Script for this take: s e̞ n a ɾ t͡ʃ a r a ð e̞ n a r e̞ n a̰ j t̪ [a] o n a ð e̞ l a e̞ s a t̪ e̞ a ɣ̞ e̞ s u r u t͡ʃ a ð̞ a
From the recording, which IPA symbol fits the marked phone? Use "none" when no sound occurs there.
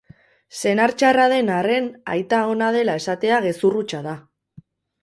a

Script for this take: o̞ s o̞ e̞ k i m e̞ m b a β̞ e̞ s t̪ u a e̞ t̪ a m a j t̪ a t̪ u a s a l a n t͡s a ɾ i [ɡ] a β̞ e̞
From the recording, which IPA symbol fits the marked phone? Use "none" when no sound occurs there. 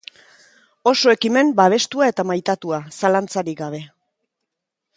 ɡ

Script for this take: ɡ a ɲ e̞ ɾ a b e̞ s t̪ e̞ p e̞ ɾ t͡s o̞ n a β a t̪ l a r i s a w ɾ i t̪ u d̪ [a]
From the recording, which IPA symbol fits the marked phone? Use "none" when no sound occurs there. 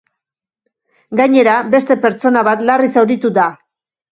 a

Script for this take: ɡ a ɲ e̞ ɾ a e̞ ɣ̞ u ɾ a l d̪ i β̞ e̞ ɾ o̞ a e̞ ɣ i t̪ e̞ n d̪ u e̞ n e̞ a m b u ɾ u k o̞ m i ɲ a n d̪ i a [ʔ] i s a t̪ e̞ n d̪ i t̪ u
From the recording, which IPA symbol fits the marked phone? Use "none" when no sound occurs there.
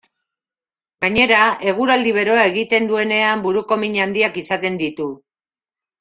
k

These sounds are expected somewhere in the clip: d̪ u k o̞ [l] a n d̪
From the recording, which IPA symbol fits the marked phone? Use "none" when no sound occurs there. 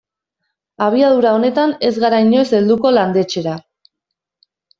l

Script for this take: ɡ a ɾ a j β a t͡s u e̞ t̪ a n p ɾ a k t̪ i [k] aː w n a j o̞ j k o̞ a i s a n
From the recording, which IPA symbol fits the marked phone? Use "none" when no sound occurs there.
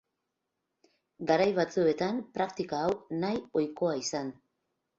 k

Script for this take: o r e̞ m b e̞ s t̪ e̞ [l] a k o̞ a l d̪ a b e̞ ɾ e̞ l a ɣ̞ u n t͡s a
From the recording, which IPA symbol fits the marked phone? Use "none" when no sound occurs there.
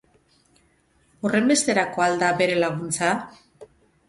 ɾ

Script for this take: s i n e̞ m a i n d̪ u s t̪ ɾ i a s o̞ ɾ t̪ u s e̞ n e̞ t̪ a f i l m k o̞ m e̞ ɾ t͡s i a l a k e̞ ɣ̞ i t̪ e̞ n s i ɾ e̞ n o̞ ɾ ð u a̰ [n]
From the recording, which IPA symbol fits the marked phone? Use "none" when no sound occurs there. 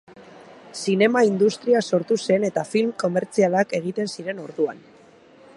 n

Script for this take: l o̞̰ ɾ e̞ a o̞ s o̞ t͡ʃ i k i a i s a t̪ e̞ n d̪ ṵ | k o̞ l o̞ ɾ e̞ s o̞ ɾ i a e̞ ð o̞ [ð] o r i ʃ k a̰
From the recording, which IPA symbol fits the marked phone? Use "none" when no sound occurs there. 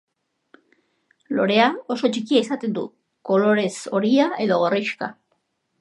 ɣ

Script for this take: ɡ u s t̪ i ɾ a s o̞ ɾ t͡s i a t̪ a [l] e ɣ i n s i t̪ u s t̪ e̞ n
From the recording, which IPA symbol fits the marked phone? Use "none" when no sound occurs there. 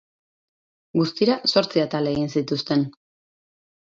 l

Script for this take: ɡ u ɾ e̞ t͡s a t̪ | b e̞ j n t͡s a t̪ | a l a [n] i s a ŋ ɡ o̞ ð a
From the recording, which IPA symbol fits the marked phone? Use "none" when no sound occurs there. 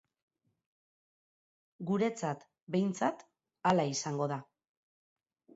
none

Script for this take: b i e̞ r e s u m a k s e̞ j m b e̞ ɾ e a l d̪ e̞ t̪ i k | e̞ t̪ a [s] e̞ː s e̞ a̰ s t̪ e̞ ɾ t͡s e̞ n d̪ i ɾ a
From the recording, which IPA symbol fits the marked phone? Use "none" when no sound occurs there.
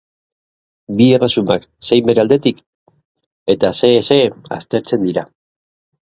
s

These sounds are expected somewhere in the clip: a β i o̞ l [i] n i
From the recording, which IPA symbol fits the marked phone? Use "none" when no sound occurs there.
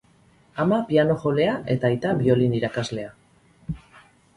i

